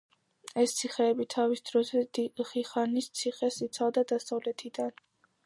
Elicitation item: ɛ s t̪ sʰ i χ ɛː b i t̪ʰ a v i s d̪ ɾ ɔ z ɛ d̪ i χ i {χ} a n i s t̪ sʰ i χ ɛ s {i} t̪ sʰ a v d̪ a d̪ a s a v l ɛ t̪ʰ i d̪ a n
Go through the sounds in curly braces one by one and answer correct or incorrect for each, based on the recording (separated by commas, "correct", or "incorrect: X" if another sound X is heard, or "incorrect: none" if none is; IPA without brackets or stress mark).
correct, correct